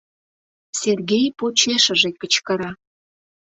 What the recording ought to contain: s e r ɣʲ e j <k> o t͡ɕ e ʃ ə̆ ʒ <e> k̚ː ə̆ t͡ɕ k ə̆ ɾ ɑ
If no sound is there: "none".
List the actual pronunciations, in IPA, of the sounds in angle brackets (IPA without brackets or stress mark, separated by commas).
p, e